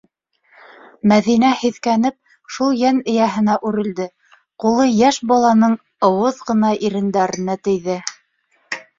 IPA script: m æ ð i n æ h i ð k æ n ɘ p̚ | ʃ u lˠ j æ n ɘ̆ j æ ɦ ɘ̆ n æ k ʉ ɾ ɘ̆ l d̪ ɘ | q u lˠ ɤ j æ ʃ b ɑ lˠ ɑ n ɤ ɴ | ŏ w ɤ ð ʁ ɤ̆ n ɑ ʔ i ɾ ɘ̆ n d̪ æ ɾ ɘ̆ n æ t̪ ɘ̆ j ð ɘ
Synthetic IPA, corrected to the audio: m æ ð i n æ h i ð k æ n ɘ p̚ | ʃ u lˠ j æ n ɘ̆ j æ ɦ ɘ̆ n æ ʔ ʉ ɾ ɘ̆ l d̪ ɘ | q u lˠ ɤ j æ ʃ b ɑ lˠ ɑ n ɤ ɴ | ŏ w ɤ ð ʁ ɤ̆ n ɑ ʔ i ɾ ɘ̆ n d̪ æ ɾ ɘ̆ n æ t̪ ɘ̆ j ð ɘ